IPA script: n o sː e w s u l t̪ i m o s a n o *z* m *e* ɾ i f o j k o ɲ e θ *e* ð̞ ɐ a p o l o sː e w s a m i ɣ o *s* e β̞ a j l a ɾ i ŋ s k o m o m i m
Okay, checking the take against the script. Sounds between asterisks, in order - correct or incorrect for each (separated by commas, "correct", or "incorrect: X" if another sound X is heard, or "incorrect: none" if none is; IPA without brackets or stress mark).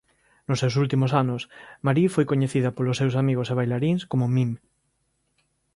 incorrect: s, incorrect: a, incorrect: i, correct